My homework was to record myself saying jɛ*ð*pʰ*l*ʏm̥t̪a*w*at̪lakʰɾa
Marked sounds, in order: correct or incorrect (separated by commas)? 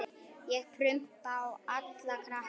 incorrect, incorrect, correct